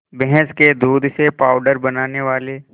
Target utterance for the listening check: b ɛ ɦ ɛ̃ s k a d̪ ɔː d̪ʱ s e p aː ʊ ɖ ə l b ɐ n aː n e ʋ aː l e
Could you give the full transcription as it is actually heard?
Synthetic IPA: b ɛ ɦ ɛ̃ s k e d̪ uː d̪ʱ s e p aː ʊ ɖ ə ɾ b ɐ n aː n e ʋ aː l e